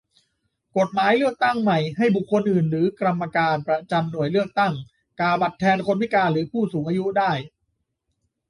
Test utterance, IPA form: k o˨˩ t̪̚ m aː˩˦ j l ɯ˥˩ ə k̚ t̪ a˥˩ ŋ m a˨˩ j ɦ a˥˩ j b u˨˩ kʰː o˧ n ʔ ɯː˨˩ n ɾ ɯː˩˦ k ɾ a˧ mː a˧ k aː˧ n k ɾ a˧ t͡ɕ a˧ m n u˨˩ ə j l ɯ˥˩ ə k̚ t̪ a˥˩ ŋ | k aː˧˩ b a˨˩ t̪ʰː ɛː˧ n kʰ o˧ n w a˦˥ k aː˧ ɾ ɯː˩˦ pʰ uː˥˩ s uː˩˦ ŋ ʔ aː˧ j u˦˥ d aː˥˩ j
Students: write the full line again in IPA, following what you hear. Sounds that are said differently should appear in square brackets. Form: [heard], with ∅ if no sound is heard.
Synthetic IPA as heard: k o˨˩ t̪̚ m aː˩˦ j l ɯ˥˩ ə k̚ t̪ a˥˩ ŋ m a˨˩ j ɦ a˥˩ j b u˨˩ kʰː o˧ n ʔ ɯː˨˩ n ɾ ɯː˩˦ k ɾ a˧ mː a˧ k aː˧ n [p] ɾ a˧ t͡ɕ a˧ m n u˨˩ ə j l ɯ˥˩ ə k̚ t̪ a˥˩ ŋ | k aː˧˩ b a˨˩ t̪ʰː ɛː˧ n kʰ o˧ n w [i˦˥] k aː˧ ɾ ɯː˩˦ pʰ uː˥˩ s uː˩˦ ŋ ʔ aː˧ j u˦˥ d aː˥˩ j